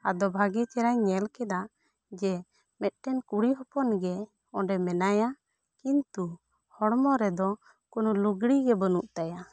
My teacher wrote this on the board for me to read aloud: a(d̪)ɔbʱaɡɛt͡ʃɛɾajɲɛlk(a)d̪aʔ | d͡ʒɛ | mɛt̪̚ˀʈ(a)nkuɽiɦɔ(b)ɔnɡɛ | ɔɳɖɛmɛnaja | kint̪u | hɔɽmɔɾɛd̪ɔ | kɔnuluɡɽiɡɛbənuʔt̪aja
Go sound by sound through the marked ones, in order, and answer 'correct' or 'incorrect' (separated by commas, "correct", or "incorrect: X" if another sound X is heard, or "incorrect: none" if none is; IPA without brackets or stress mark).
correct, incorrect: ɛ, incorrect: ɛ, incorrect: p